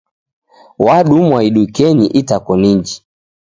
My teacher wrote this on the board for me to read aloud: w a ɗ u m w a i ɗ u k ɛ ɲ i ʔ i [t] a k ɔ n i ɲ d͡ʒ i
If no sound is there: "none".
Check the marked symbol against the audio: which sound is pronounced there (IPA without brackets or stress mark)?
t